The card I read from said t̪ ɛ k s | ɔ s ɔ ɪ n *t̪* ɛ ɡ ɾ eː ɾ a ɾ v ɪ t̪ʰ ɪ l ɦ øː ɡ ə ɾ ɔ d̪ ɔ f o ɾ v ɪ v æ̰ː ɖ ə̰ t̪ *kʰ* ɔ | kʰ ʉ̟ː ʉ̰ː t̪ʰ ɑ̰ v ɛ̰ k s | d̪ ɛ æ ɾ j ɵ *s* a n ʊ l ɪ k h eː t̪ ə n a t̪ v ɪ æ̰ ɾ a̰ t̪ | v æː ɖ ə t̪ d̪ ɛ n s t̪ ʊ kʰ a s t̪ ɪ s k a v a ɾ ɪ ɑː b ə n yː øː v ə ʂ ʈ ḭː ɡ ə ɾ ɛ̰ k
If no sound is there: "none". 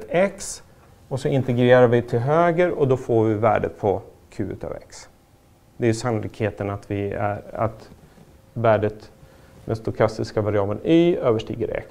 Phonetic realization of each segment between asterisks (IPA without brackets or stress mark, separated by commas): t̪, pʰ, s